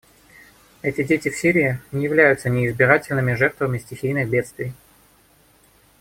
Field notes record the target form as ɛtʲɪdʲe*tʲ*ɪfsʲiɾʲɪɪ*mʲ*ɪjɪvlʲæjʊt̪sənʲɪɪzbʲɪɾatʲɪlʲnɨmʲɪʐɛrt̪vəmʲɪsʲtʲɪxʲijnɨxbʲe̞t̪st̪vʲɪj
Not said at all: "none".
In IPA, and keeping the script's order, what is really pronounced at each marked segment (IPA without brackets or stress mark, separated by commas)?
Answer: tʲ, nʲ